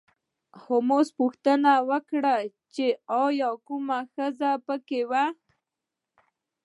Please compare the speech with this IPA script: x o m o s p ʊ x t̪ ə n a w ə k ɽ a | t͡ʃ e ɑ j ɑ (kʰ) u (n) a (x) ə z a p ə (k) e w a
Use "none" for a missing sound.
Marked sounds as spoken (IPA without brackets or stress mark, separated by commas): k, m, x, k